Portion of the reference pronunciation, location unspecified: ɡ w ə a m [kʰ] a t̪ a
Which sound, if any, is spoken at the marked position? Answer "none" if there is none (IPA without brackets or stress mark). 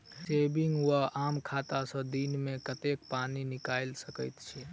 kʰ